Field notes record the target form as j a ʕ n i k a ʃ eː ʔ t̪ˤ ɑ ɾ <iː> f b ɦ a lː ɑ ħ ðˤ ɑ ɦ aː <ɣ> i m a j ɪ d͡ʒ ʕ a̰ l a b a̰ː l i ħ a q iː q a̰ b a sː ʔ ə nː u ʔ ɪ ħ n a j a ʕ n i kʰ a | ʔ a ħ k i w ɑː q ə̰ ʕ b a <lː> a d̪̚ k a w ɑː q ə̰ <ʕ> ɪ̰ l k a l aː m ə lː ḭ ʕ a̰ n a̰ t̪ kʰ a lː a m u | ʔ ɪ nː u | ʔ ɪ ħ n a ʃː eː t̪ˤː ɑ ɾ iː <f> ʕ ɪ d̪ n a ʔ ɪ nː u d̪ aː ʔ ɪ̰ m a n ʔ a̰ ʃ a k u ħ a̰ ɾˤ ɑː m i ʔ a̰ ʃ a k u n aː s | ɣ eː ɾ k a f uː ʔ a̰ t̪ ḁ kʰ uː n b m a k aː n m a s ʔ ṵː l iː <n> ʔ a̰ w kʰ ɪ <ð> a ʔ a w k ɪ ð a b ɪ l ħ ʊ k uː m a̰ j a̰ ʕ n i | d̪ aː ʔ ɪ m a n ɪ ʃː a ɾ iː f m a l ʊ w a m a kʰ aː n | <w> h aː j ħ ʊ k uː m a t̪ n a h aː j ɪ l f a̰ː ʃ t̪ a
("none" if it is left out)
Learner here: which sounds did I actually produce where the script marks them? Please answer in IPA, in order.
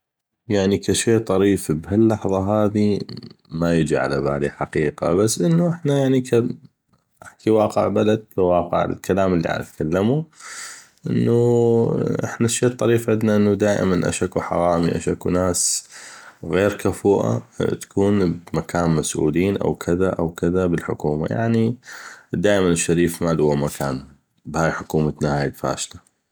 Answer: iː, ð, l, ʕ, f, n, ð, b

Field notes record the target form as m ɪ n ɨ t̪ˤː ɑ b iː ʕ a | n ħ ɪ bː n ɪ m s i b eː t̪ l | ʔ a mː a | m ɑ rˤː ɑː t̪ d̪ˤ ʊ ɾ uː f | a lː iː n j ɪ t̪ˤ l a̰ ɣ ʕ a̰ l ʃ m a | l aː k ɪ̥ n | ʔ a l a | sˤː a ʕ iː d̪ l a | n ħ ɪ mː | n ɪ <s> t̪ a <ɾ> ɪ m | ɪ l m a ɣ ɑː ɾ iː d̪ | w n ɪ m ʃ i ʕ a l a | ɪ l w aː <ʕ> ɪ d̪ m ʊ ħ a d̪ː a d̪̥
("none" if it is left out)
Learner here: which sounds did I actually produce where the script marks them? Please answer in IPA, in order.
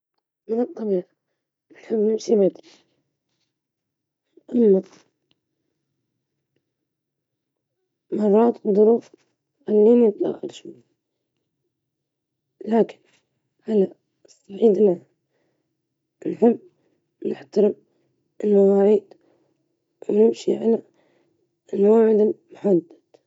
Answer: ħ, ɾ, ʕ

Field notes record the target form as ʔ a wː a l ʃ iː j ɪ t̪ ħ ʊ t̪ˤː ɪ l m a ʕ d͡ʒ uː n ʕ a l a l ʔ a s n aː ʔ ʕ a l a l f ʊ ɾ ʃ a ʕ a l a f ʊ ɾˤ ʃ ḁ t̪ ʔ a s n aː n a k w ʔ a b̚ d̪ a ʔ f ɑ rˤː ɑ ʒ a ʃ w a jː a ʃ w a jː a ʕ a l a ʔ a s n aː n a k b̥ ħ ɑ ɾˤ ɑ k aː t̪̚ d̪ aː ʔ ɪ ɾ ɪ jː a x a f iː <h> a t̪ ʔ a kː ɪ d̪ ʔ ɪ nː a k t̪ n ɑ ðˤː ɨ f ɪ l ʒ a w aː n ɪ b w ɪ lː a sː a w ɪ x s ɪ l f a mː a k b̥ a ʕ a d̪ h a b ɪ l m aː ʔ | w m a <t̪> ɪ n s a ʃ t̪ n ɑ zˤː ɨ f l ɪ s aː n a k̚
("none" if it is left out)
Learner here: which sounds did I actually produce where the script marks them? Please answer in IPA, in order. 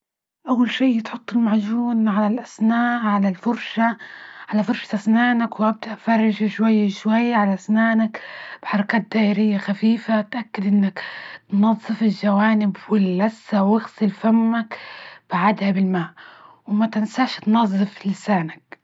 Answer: f, t̪

